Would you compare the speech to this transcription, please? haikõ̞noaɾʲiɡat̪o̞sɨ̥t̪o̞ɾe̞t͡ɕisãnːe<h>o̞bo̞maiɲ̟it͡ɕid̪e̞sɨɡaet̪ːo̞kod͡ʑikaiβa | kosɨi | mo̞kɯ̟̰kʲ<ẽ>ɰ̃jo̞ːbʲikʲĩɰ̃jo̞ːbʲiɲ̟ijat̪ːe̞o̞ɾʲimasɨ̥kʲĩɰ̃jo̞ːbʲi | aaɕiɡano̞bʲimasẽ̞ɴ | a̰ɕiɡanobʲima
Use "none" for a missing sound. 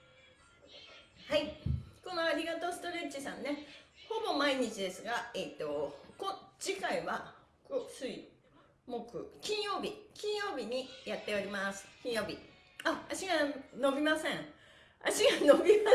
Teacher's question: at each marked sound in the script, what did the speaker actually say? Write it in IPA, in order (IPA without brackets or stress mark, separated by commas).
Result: h, ĩ